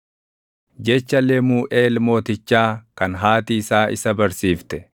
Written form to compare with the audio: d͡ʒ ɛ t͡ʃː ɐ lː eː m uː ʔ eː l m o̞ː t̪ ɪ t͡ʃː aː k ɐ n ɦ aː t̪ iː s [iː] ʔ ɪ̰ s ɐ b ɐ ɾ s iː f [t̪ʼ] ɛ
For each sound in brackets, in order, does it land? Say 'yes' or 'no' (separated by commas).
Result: no, no